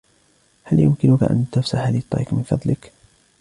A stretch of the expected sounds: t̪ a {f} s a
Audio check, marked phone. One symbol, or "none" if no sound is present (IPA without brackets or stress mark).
f